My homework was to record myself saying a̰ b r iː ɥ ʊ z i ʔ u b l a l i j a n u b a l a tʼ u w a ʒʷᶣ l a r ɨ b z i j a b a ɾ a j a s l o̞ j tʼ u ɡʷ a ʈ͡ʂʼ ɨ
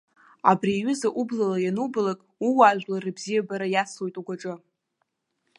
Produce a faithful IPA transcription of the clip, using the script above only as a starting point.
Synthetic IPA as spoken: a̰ b r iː ɥ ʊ z a ʔ u b l a l a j a n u b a l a kʼ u w a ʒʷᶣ l a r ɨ b z i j a b a ɾ a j a s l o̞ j tʼ u ɡʷ a ʈ͡ʂʼ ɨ